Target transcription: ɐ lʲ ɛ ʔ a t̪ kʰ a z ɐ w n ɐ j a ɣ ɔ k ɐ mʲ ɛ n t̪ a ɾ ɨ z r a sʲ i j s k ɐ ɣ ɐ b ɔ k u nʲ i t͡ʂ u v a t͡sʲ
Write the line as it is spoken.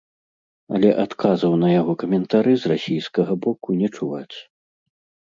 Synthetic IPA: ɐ lʲ ɛ ʔ a t̪ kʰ a z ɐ w n ɐ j a ɣ ɔ k ɐ mʲ ɛ n t̪ a ɾ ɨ z r a sʲ i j s k ɐ ɣ ɐ b ɔ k u nʲ ɛ t͡ʂ u v a t͡sʲ

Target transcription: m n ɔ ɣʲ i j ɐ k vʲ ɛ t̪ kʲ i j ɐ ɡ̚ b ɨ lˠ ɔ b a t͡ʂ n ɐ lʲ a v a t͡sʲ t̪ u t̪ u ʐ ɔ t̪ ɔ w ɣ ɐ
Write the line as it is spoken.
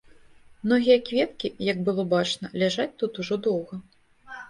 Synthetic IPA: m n ɔ ɣʲ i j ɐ k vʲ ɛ t̪ kʲ i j ɐ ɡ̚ b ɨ lˠ ɔ b a t͡ʂ n ɐ lʲ a ʐ a t͡sʲ t̪ u t̪ u ʐ ɔ d̪ ɔ w ɣ ɐ

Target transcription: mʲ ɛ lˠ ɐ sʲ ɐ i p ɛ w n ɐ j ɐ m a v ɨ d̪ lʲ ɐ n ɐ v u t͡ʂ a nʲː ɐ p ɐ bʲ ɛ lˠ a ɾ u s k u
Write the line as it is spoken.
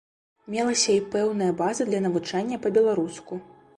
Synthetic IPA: mʲ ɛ lˠ ɐ sʲ ɐ i p ɛ w n ɐ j ɐ b a z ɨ d̪ lʲ ɐ n ɐ v u t͡ʂ a nʲː ɐ p ɐ bʲ ɛ lˠ a ɾ u s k u

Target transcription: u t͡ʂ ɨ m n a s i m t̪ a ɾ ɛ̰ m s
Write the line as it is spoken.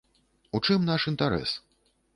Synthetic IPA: u t͡ʂ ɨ m n a ʂ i n t̪ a ɾ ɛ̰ s

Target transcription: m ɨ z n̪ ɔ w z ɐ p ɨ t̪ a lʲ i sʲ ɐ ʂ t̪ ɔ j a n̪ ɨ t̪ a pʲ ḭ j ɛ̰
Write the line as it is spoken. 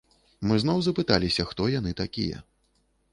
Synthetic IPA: m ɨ z n̪ ɔ w z ɐ p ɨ t̪ a lʲ i sʲ ɐ x t̪ ɔ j a n̪ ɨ t̪ a kʲ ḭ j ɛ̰

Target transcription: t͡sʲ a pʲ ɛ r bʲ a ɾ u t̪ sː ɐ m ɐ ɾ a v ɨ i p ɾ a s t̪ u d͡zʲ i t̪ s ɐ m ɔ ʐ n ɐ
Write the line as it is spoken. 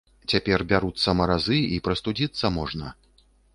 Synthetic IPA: t͡sʲ a pʲ ɛ r bʲ a ɾ u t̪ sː ɐ m ɐ ɾ a z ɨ i p ɾ ɐ s t̪ u d͡zʲ i t̪ sː ɐ m ɔ ʐ n ɐ

